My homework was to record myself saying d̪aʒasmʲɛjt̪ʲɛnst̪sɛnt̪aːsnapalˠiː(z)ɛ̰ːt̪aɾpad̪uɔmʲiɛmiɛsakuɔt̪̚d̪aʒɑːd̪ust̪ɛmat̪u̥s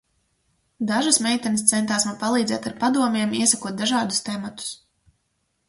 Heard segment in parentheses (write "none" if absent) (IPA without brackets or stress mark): z